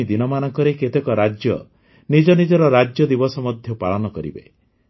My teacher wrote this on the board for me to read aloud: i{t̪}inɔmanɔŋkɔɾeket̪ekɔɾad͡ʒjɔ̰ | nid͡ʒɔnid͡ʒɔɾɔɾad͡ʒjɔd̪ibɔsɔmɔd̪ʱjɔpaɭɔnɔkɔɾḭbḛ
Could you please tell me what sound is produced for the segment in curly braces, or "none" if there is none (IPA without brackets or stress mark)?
d̪